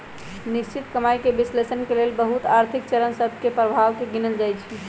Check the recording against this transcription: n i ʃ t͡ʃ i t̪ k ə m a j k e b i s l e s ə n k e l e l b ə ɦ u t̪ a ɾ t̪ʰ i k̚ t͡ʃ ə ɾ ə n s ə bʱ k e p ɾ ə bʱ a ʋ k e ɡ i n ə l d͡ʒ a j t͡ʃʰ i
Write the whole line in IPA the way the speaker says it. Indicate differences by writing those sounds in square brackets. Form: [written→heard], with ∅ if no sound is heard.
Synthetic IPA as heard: n i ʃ t͡ʃ i t̪ k ə m a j k e b i s l e s ə n k e l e l b ə ɦ u t̪ a ɾ t̪ʰ i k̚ t͡ʃ ə ɾ ə n s ə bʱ k e p ɾ ə bʱ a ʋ k e ɡ i n ə l d͡ʒ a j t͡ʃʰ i